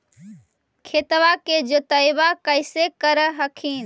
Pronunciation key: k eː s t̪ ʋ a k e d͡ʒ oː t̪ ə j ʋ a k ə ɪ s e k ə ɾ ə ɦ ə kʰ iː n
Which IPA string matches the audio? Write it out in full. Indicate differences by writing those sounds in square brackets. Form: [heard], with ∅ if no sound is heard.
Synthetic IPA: [kʰ] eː [∅] t̪ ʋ a k e d͡ʒ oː t̪ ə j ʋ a k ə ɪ s e k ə ɾ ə ɦ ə kʰ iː n